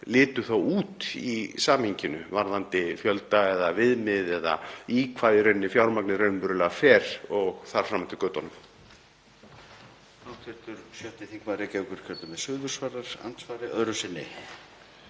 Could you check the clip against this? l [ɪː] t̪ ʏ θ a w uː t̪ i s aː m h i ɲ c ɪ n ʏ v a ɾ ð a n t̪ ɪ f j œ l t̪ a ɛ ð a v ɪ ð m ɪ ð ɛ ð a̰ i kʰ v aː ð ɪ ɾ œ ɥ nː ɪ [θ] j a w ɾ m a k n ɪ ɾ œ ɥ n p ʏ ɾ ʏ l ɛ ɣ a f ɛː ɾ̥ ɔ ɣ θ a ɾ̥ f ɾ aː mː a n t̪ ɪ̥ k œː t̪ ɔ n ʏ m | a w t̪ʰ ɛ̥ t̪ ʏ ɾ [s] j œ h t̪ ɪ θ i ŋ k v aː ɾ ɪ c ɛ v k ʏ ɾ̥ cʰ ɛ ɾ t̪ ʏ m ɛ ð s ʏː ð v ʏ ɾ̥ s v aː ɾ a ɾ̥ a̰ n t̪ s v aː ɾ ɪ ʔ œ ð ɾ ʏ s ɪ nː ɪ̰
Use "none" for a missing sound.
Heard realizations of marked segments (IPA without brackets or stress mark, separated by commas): ɪː, f, s